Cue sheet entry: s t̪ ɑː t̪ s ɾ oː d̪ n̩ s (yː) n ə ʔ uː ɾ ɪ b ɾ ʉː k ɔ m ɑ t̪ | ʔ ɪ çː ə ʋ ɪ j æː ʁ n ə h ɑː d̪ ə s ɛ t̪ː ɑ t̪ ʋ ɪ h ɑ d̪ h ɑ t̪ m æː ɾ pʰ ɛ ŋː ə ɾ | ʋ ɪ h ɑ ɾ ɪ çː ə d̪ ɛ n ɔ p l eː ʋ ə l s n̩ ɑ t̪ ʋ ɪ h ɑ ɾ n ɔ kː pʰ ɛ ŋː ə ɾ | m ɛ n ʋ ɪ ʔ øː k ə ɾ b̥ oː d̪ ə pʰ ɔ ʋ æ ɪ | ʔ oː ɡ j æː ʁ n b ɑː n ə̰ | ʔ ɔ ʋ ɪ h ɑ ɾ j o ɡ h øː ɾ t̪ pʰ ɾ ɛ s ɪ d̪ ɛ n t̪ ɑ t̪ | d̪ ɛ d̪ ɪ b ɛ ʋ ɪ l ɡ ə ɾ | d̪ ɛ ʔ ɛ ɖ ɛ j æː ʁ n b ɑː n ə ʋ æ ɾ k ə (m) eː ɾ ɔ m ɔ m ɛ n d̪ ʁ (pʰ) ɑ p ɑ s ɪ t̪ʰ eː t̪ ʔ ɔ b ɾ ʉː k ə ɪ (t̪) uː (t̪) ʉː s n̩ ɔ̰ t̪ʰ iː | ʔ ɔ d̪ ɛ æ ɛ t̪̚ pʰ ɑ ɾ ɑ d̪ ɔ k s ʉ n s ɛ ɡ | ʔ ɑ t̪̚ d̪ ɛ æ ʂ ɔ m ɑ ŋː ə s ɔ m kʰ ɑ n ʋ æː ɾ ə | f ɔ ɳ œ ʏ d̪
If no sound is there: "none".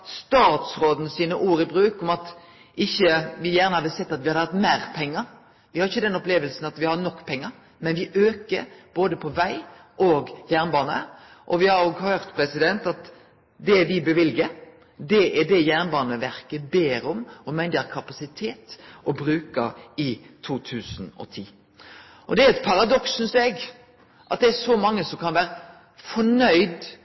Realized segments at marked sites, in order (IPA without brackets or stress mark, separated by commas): iː, b, kʰ, t̪ʰ, t̪ʰ